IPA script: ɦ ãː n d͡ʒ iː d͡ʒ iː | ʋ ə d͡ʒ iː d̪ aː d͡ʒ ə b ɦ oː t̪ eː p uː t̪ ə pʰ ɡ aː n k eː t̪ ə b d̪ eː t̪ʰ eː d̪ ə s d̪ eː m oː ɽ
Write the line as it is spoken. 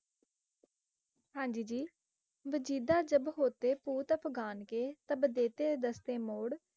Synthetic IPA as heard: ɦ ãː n d͡ʒ iː d͡ʒ iː | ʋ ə d͡ʒ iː d̪ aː d͡ʒ ə b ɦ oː t̪ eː p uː t̪ ə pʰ ɡ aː n k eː t̪ ə b d̪ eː t̪ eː d̪ ə s t̪ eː m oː ɽ